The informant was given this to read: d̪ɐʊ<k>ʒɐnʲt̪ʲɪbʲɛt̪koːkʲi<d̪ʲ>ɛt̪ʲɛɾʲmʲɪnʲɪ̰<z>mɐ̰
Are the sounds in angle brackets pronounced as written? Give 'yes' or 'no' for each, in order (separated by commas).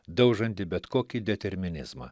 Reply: no, yes, yes